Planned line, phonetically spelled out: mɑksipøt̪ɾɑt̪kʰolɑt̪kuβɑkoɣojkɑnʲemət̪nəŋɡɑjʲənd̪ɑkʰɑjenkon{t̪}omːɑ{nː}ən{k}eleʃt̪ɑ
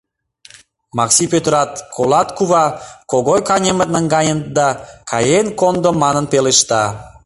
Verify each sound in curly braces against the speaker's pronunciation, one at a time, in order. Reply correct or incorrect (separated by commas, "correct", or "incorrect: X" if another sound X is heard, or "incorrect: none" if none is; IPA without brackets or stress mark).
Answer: incorrect: d̪, incorrect: n, incorrect: p